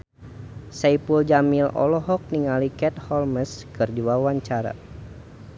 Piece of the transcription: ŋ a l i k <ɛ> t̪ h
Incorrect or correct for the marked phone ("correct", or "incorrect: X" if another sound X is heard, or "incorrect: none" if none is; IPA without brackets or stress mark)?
correct